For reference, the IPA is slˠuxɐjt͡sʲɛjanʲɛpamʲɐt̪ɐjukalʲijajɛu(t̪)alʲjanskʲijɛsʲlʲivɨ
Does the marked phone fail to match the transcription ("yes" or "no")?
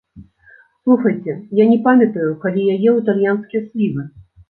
no